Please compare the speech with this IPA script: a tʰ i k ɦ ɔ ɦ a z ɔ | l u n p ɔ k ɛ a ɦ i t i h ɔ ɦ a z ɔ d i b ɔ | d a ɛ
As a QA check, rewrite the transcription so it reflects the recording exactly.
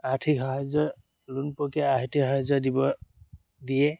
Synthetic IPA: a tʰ i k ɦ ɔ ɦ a z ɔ | l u n p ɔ k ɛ a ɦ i t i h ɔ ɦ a z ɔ d i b ɔ | d i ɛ